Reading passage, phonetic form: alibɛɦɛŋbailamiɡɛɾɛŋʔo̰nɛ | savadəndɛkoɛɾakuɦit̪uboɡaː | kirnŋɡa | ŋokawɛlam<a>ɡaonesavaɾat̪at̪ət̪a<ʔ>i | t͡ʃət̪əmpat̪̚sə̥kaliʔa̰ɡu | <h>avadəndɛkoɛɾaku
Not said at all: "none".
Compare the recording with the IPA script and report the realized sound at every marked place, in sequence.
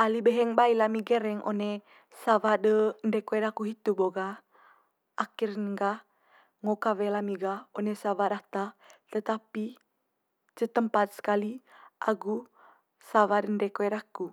i, p, s

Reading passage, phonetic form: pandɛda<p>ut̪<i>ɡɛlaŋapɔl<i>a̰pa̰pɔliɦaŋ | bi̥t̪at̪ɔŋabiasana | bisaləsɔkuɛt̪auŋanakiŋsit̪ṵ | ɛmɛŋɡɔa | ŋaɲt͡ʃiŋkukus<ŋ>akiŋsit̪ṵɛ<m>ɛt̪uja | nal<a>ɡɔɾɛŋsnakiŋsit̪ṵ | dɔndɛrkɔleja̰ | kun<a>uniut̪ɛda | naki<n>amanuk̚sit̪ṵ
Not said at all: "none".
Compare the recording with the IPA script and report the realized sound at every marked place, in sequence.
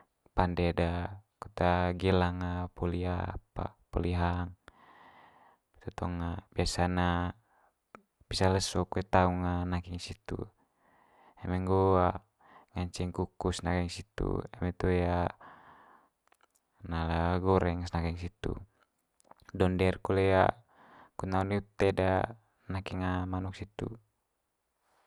k, a, i, n, m, a, a, ŋ

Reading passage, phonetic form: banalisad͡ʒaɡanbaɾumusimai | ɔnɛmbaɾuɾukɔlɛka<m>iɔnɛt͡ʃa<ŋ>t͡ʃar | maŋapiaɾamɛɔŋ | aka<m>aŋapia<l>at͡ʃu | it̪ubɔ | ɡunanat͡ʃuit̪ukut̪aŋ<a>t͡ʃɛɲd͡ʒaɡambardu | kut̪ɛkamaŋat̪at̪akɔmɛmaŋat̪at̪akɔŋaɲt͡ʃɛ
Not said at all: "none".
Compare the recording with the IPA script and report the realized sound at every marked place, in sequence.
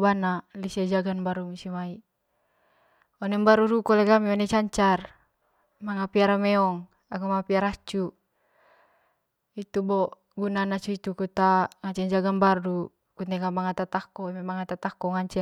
m, ɲ, m, ɾ, a

